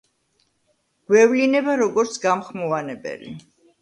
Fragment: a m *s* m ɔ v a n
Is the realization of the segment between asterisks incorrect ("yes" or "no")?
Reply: yes